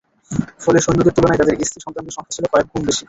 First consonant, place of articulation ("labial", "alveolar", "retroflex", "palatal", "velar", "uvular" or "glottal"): labial